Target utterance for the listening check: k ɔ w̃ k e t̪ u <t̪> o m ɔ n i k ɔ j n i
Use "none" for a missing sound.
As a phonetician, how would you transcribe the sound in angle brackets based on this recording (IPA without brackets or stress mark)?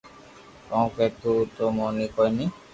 t̪